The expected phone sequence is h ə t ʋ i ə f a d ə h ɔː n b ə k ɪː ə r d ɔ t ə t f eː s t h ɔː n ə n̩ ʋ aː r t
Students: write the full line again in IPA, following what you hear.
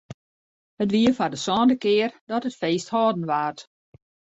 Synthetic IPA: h ə t ʋ i ə f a d ə s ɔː n d ə k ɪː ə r d ɔ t ə t f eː s t h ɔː d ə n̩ ʋ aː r t